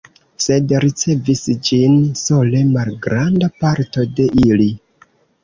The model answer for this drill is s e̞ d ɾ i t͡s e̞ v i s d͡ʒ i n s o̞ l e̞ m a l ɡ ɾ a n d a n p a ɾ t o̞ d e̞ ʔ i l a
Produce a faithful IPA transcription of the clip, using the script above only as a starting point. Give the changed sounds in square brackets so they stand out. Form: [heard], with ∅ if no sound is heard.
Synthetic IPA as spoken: s e̞ d ɾ i t͡s e̞ v i s d͡ʒ i n s o̞ l e̞ m a l ɡ ɾ a n d a [∅] p a ɾ t o̞ d e̞ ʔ i l [i]